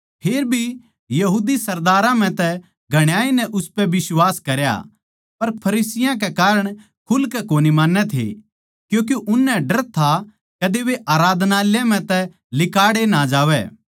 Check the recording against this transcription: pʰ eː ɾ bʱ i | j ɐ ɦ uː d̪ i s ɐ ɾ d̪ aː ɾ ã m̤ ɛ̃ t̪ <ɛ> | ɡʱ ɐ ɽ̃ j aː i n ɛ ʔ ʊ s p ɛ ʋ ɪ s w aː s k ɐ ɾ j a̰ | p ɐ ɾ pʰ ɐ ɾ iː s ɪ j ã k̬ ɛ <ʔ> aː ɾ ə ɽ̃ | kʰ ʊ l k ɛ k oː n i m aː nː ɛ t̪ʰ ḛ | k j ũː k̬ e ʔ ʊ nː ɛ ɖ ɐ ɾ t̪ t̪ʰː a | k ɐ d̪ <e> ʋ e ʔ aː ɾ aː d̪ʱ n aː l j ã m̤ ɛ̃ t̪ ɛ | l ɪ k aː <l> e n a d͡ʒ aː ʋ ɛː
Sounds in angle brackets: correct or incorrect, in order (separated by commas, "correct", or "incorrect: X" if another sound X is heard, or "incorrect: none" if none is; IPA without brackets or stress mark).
correct, incorrect: k, correct, incorrect: ɽ